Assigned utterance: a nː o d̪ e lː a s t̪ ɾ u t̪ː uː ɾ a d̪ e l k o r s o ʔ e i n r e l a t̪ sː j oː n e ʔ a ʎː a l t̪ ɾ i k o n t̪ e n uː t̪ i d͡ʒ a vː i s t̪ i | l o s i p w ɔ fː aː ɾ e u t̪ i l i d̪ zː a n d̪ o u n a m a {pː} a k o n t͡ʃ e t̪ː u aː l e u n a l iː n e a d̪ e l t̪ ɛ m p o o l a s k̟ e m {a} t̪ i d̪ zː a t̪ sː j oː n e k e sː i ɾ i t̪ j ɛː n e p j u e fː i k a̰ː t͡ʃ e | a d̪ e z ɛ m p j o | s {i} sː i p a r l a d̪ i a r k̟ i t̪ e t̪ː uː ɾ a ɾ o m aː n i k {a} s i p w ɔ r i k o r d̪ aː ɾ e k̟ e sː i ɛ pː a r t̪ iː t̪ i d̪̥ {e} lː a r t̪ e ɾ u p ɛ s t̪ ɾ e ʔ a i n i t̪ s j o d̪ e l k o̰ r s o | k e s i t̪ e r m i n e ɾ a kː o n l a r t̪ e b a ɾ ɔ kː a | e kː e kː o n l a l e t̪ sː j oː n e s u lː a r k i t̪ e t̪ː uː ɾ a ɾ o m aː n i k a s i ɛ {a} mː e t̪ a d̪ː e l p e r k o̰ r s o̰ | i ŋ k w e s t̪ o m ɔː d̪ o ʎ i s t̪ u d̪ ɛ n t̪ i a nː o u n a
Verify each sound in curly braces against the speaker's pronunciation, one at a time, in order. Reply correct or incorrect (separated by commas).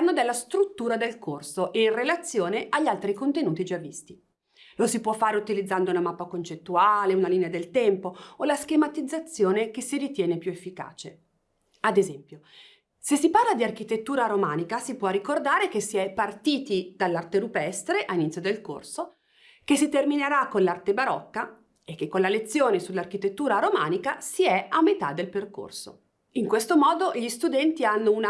correct, correct, incorrect, correct, incorrect, correct